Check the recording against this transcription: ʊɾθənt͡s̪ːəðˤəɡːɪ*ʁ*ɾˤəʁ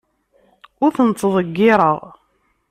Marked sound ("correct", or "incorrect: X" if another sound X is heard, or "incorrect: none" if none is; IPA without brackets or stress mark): incorrect: none